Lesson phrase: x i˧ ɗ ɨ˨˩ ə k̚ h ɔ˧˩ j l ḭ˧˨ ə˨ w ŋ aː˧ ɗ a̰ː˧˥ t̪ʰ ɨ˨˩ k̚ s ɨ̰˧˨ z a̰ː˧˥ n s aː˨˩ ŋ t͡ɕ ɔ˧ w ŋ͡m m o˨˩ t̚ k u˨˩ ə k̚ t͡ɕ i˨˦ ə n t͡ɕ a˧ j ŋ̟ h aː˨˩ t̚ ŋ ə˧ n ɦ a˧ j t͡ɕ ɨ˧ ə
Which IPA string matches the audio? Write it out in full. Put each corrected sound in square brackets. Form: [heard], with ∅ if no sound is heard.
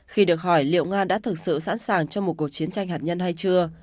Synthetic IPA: x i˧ ɗ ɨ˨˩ ə k̚ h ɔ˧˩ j l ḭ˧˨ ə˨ w ŋ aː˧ ɗ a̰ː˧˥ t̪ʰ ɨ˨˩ k̚ s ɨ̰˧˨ [s] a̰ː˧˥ n s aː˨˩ ŋ t͡ɕ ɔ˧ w ŋ͡m m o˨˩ t̚ k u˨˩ ə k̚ t͡ɕ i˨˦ ə n t͡ɕ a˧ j ŋ̟ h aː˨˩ t̚ [ɲ] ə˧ n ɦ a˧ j t͡ɕ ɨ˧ ə